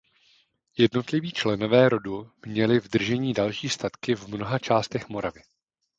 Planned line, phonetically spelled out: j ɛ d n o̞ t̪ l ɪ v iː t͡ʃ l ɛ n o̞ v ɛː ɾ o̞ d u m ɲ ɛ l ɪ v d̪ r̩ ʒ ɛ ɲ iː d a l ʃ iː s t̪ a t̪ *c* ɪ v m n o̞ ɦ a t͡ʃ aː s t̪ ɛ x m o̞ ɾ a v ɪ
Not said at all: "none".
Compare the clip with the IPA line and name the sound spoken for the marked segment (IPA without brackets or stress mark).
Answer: k